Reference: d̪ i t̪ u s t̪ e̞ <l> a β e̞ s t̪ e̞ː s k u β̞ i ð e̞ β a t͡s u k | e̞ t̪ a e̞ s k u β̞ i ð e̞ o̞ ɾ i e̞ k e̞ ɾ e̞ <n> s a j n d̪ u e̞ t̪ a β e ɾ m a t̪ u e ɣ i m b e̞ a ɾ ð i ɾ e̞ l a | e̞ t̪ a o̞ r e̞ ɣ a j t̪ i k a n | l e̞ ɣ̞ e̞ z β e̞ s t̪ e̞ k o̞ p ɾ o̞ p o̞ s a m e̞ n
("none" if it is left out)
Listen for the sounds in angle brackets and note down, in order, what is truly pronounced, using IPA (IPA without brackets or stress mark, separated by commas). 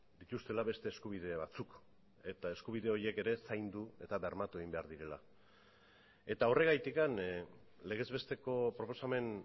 l, none